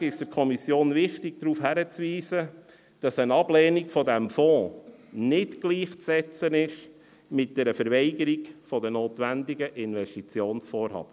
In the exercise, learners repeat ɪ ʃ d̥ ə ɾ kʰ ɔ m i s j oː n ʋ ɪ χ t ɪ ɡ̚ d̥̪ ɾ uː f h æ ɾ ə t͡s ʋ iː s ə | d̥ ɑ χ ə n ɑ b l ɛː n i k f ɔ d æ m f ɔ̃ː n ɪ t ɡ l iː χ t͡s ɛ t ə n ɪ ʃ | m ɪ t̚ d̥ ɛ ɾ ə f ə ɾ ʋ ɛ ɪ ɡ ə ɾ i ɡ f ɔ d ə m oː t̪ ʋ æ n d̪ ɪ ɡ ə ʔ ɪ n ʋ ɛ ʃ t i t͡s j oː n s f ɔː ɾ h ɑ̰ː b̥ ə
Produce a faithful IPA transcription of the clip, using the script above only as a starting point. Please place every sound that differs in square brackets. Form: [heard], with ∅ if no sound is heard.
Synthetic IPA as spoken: ɪ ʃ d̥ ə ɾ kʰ ɔ m i s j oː n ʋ ɪ χ t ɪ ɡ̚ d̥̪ ɾ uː f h æ ɾ ə t͡s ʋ iː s ə | d̥ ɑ [s] ə n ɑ b l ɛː n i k f ɔ d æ m f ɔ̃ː n ɪ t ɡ l iː χ t͡s ɛ [t͡s] ə n ɪ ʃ | m ɪ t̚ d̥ ɛ ɾ ə f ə ɾ ʋ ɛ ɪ ɡ ə ɾ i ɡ f ɔ d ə [n] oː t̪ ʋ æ n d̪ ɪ ɡ ə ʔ ɪ n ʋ ɛ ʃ t i t͡s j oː n s f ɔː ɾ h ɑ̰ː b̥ ə